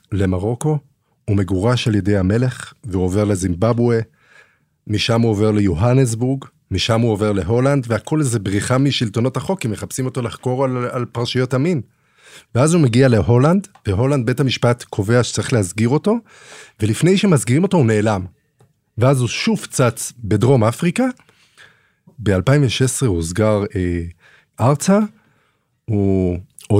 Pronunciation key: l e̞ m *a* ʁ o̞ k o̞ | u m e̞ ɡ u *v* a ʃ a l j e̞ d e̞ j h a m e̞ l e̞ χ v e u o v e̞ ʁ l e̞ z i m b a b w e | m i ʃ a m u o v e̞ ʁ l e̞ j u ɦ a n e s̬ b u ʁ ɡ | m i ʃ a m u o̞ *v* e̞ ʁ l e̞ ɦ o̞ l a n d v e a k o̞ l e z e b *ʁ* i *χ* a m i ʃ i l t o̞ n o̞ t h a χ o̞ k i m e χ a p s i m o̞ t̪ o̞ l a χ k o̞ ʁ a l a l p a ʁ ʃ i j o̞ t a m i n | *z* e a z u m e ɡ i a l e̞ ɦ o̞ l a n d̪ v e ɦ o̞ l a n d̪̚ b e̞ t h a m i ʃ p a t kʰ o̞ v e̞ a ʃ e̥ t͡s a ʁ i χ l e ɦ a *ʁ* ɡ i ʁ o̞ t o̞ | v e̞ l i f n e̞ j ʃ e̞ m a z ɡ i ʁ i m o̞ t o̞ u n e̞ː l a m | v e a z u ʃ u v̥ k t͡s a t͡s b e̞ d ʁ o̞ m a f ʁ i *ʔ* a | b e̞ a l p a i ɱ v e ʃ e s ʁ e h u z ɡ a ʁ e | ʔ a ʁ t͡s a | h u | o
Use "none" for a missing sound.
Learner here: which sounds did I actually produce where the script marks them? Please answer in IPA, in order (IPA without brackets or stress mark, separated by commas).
a, ʁ, v, ʁ, χ, v, z, k